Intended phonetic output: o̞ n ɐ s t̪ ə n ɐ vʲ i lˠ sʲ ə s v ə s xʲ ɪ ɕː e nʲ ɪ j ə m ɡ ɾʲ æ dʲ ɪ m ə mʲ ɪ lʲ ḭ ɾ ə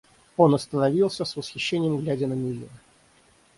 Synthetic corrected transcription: o̞ n ɐ s t̪ ə n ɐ vʲ i lˠ sʲ ə s v ə s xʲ ɪ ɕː e nʲ ɪ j ə m ɡ lʲ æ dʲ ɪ n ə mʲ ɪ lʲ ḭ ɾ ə